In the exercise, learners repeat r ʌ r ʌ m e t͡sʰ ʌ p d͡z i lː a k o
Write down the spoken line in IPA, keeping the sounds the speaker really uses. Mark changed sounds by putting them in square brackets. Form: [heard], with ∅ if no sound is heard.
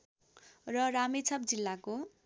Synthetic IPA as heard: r ʌ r [a] m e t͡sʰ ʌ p d͡z i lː a k o